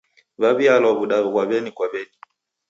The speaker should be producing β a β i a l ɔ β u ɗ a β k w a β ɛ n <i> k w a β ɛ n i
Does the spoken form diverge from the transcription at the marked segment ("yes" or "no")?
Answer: no